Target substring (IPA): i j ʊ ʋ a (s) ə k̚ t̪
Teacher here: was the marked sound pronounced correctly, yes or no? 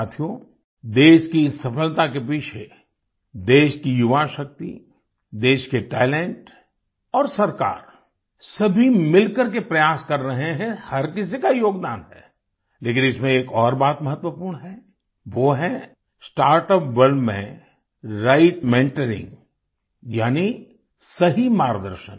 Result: no